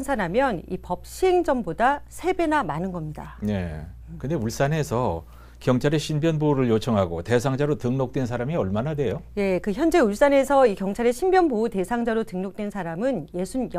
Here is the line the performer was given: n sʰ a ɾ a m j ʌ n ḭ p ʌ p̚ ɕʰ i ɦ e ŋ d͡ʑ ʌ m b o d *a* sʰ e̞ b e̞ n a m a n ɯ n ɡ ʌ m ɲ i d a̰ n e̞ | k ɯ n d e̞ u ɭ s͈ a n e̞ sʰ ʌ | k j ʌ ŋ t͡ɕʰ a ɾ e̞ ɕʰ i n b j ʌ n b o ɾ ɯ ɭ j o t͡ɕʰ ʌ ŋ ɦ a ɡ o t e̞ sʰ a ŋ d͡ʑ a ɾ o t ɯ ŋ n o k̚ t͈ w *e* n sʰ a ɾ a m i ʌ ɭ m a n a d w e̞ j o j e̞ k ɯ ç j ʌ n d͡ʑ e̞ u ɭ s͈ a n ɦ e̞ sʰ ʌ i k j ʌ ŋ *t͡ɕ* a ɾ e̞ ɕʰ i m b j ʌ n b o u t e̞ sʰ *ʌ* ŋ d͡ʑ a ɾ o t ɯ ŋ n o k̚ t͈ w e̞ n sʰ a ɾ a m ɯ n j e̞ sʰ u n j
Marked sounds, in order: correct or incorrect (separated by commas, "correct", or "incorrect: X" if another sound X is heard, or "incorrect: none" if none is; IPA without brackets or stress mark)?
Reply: correct, correct, incorrect: t͡ɕʰ, incorrect: a